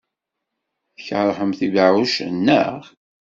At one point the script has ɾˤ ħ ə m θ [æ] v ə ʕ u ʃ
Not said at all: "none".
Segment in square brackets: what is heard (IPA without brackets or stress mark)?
i